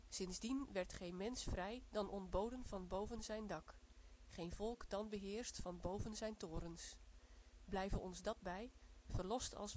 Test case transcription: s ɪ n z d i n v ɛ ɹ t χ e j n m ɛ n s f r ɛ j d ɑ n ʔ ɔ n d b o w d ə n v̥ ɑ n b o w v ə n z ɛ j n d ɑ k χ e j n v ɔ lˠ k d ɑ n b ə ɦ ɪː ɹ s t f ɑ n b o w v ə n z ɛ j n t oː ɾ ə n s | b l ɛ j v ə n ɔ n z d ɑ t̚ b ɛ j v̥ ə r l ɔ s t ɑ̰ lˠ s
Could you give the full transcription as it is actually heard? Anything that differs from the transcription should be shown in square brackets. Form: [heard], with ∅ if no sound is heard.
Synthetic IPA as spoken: s ɪ n z d i n [ʋ] ɛ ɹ t χ e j n m ɛ n s f r ɛ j d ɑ n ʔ ɔ n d b o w d ə n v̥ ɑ n b o w v ə n z ɛ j n d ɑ k χ e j n v ɔ lˠ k d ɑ n b ə ɦ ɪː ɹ s t f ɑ n b o w v ə n z ɛ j n t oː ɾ ə n s | b l ɛ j v ə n ɔ n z d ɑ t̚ b ɛ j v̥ ə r l ɔ s t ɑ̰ lˠ s